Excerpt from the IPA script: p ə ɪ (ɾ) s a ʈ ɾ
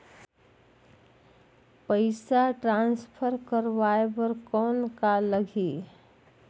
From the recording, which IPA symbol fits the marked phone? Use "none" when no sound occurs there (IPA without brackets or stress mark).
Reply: none